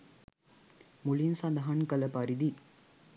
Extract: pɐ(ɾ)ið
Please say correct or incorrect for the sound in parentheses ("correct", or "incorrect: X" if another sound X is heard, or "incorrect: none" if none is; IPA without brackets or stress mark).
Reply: correct